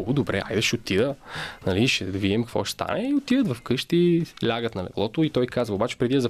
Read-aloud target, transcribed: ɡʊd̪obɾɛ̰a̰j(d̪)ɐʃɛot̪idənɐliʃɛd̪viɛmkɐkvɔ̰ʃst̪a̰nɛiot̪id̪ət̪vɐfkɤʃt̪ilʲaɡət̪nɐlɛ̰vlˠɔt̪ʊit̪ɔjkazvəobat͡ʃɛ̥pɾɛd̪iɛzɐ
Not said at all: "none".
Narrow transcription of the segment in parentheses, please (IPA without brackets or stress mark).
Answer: d̪